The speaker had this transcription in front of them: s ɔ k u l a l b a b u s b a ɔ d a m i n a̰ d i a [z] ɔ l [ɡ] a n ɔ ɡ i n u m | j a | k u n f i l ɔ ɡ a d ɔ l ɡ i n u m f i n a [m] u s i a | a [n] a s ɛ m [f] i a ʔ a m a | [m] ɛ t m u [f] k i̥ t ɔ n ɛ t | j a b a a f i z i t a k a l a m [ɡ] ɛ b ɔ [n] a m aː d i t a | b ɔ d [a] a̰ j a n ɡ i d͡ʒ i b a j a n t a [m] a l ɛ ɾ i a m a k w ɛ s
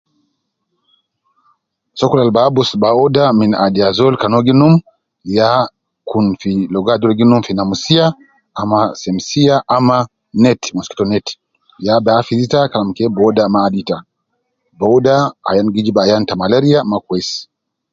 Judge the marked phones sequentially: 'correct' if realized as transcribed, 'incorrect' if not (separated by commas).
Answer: correct, incorrect, correct, incorrect, incorrect, incorrect, incorrect, incorrect, incorrect, correct, correct